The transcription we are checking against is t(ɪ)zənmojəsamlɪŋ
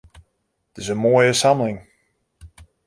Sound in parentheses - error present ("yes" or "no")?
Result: no